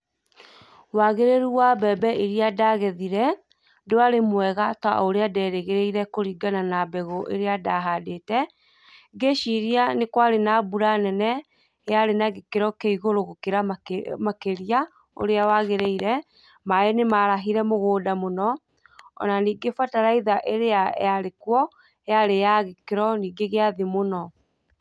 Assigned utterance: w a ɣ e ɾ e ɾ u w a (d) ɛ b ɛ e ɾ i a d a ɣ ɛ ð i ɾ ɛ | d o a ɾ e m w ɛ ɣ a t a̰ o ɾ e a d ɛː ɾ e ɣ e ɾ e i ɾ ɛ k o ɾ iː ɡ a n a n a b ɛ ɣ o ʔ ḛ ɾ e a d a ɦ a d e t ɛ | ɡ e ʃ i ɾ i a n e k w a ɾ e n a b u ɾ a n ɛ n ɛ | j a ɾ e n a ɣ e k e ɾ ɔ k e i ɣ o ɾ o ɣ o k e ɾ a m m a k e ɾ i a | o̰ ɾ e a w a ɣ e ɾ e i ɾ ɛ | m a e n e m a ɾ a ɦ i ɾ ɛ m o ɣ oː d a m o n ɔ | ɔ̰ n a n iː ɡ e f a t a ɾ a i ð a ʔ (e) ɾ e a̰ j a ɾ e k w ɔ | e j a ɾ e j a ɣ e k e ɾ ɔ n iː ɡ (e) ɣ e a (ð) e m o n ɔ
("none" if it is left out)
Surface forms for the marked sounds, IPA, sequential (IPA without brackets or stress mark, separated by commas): b, e, e, ð